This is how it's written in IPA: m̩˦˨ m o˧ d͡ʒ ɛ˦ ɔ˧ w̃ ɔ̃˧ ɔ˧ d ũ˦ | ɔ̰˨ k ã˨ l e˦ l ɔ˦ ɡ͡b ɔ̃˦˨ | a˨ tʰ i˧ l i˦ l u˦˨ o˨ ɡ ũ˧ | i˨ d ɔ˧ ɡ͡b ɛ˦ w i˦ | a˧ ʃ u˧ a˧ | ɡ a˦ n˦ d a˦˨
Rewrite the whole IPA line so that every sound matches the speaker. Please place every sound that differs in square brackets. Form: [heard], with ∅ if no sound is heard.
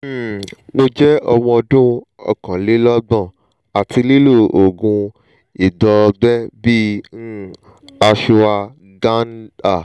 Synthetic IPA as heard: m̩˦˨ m o˧ d͡ʒ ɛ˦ ɔ˧ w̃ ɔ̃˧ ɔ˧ d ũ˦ | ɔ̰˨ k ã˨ l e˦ l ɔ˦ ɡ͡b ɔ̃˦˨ | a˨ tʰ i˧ l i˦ l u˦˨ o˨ ɡ ũ˧ | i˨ d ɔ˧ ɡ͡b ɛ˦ [b] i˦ | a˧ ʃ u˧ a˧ | ɡ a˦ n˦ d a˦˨